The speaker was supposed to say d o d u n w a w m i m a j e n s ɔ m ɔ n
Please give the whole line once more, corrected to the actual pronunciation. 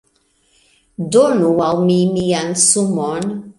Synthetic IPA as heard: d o n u w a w m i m i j a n s u m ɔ n